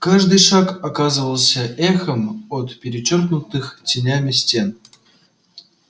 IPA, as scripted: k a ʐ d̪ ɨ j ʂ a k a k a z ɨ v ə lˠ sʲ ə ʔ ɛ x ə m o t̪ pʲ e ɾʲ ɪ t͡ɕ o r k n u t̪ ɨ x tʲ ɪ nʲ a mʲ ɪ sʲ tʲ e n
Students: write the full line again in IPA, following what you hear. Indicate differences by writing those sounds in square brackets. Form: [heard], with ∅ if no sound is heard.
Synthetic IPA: k a ʐ d̪ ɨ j ʂ a k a k a z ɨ v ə lˠ sʲ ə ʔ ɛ x ə m o t̪ pʲ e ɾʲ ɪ t͡ɕ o r k n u t̪ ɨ x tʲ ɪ nʲ a mʲ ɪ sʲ tʲ e n